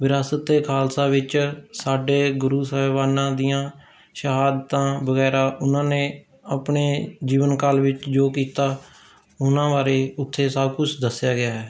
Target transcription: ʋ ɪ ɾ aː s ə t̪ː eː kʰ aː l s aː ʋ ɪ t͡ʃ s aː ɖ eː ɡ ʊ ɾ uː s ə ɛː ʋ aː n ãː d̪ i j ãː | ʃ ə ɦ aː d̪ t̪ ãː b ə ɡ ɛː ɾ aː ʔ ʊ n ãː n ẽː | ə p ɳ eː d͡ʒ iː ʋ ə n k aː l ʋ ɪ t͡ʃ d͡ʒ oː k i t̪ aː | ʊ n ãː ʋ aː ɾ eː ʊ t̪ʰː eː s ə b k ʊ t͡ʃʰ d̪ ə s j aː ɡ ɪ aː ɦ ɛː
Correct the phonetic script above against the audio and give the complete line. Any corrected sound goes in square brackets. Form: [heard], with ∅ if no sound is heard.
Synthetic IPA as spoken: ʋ ɪ ɾ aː s ə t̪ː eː kʰ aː l s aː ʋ ɪ t͡ʃ s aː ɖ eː ɡ ʊ ɾ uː s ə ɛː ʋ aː n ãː d̪ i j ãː | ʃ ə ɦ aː d̪ t̪ ãː b ə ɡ ɛː ɾ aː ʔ ʊ n ãː n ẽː | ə p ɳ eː d͡ʒ iː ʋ ə n k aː l ʋ ɪ t͡ʃ d͡ʒ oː k [iː] t̪ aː | ʊ n ãː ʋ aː ɾ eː ʊ t̪ʰː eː s ə b k ʊ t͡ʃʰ d̪ ə s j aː ɡ ɪ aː ɦ ɛː